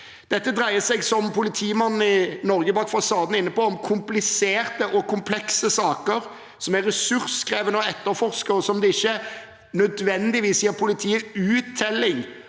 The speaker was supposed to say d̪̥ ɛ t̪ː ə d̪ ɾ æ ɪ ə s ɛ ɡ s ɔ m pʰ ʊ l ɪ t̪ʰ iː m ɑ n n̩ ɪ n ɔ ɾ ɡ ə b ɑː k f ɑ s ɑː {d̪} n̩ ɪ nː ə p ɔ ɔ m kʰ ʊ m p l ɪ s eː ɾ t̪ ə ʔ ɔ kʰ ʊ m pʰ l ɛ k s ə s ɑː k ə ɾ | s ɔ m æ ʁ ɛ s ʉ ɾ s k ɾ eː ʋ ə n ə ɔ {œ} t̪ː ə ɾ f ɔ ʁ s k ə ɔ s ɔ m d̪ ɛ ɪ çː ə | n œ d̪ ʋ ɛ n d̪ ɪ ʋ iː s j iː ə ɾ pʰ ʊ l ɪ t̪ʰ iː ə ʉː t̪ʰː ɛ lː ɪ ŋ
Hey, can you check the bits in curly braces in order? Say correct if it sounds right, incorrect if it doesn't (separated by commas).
correct, incorrect